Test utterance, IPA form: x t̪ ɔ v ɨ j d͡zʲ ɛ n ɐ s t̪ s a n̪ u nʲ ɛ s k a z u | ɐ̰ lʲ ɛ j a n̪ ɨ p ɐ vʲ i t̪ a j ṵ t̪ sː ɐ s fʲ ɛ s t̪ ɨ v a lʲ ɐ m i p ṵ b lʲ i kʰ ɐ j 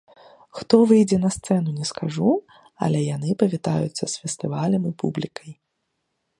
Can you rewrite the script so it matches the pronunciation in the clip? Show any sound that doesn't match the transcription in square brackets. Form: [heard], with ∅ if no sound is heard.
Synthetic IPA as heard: x t̪ ɔ v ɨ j d͡zʲ ɛ n ɐ s t̪ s [ɛ] n̪ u nʲ ɛ s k a [ʐ] u | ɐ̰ lʲ ɛ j a n̪ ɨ p ɐ vʲ i t̪ a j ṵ t̪ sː ɐ s fʲ ɛ s t̪ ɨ v a lʲ ɐ m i p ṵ b lʲ i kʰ ɐ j